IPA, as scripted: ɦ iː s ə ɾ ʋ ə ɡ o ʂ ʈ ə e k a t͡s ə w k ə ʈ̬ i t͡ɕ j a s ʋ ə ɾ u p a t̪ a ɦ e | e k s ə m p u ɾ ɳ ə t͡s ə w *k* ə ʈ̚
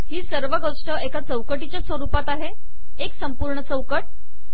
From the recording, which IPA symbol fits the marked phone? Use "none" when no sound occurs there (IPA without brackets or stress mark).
k